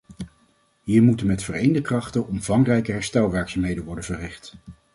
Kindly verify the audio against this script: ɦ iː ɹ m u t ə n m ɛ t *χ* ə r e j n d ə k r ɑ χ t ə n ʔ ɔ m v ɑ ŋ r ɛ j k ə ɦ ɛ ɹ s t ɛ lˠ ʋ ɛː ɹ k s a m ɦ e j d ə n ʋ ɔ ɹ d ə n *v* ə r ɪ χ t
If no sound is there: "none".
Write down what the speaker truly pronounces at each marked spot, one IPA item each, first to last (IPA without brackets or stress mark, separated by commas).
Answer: f, v